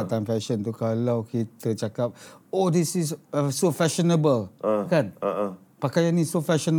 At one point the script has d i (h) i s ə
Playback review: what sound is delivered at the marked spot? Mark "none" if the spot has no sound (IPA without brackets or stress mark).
s